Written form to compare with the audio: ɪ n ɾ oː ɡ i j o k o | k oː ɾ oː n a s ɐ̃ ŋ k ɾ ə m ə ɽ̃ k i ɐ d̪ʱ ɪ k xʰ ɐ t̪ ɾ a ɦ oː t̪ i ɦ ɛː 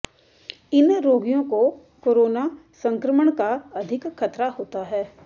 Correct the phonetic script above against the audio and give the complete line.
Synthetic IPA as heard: ɪ n ɾ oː ɡ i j õ k o | k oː ɾ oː n a s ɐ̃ ŋ k ɾ ə m ə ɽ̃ k a ɐ d̪ʱ ɪ k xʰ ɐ t̪ ɾ a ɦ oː t̪ a ɦ ɛː